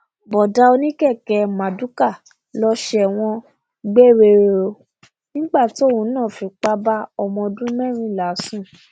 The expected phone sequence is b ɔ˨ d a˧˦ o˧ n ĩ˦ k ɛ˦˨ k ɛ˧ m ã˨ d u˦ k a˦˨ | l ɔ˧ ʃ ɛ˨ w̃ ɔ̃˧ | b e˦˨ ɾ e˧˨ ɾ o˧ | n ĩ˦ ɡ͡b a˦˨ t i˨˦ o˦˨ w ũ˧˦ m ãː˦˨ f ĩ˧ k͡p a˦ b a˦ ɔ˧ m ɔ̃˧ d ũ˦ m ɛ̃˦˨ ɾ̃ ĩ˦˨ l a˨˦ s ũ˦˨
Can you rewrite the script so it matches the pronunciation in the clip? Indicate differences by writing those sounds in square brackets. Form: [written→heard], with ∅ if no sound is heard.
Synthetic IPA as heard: b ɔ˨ d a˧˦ o˧ n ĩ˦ k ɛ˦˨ k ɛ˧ m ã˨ d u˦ k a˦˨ | l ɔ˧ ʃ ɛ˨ w̃ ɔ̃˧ | [b→ɡ͡b] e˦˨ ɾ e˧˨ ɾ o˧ | n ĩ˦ ɡ͡b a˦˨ t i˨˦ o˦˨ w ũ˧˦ [m→n] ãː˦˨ f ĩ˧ k͡p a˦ b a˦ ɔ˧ m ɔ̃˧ d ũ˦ m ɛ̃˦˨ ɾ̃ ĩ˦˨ l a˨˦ s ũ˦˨